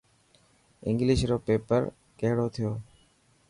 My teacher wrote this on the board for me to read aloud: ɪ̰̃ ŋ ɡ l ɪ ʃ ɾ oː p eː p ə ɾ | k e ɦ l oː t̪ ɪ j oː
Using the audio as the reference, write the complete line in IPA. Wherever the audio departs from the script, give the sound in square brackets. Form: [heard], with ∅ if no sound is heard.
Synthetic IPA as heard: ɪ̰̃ ŋ ɡ l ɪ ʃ ɾ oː p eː p ə ɾ | k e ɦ [ɽ] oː [t̪ʰ] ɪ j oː